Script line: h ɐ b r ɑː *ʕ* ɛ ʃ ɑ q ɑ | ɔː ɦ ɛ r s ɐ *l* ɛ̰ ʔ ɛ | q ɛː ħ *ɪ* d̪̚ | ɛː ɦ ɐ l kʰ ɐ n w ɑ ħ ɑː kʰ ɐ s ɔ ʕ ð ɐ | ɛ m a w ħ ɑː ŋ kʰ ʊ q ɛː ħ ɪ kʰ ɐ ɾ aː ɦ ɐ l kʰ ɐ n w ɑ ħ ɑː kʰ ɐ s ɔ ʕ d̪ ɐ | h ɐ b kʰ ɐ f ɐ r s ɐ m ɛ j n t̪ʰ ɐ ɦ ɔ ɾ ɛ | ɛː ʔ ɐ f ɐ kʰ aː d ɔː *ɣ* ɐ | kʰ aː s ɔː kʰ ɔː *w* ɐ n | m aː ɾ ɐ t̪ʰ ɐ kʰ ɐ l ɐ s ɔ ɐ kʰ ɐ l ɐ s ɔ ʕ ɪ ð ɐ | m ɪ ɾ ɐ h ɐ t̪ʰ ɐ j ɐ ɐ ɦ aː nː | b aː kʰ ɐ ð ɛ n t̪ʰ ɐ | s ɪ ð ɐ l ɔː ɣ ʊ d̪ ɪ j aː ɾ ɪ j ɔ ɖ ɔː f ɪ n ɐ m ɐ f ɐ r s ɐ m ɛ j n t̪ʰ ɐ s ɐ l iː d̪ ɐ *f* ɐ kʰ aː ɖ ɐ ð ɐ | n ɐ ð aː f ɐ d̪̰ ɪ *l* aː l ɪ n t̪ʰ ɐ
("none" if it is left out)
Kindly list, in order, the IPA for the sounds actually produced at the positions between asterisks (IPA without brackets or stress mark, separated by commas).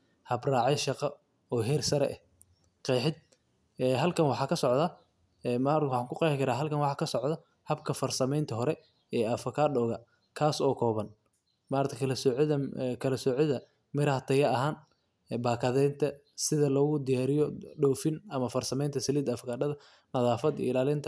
ʕ, ɾ, ɪ, ɣ, β, f, l